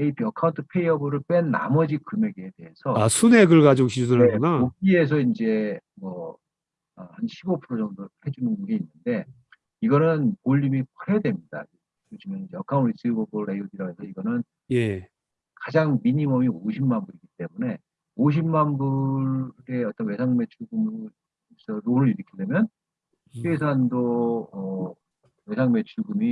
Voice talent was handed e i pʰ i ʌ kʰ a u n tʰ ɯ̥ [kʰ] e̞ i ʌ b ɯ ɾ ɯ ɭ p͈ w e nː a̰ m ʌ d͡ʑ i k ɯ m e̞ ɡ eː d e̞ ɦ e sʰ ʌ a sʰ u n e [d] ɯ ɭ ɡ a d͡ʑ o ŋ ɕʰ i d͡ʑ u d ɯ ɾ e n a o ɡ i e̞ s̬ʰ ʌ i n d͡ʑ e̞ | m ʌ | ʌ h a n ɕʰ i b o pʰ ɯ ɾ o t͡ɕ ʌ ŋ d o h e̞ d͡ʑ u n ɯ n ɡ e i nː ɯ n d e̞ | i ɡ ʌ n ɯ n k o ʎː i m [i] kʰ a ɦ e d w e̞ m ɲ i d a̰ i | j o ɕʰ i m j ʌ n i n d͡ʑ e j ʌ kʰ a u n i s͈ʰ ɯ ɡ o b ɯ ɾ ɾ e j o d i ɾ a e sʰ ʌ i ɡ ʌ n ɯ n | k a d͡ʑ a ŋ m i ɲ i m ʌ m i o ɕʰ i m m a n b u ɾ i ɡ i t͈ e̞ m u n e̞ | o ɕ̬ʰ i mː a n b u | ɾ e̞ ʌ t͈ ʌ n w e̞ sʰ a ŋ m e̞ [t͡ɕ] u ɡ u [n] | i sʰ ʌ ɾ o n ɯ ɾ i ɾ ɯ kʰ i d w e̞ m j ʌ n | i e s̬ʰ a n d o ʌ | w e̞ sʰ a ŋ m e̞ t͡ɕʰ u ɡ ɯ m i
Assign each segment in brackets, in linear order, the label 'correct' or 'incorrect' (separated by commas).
incorrect, incorrect, correct, incorrect, incorrect